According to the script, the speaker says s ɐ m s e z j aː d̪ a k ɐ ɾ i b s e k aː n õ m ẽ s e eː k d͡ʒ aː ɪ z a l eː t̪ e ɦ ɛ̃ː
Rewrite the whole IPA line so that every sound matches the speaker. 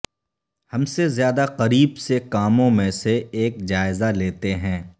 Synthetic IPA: h ɐ m s e z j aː d̪ a q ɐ ɾ iː b s e k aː m õ m ẽ s e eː k d͡ʒ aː ɪ z a l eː t̪ e ɦ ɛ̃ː